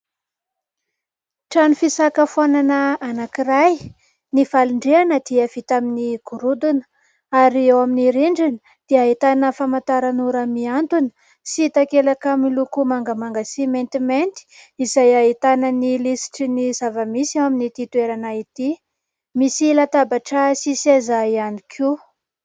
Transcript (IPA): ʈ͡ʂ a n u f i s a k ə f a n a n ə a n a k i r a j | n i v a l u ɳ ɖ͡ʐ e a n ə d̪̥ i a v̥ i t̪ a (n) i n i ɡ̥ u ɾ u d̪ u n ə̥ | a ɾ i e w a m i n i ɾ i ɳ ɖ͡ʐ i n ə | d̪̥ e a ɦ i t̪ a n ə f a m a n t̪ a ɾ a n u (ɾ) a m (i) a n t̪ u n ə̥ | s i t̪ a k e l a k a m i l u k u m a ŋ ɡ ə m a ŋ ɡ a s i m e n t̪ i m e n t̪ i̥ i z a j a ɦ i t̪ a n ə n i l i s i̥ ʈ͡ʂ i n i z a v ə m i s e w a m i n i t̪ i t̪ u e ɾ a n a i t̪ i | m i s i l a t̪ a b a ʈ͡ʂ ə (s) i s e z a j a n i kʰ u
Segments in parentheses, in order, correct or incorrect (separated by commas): incorrect, correct, correct, correct